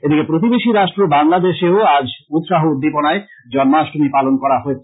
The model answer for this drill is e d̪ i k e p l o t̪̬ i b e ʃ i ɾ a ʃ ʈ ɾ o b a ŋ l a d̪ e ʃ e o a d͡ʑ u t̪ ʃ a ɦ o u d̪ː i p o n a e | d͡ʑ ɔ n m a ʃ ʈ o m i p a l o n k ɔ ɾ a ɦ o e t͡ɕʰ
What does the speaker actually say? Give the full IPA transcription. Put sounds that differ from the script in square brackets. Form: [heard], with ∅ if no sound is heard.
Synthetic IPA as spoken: e d̪ i k e p [ɾ] o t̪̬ i b e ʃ i ɾ a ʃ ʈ ɾ o b a ŋ l a d̪ e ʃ e o a d͡ʑ u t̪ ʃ a ɦ o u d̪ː i p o n a e | d͡ʑ ɔ n m a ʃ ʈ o m i p a l o n k ɔ ɾ a ɦ o e t͡ɕʰ